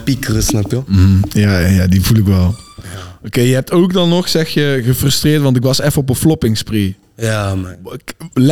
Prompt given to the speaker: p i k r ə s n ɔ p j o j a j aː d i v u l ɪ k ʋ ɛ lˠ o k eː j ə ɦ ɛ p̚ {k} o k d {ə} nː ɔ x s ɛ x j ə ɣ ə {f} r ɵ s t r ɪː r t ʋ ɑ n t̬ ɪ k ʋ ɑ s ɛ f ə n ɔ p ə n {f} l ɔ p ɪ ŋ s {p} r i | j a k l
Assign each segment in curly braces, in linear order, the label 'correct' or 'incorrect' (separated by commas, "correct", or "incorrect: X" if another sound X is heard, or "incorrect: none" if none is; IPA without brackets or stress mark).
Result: incorrect: t, incorrect: ɑ, correct, correct, correct